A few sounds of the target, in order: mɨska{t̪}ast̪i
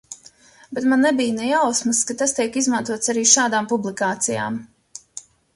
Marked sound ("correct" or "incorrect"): correct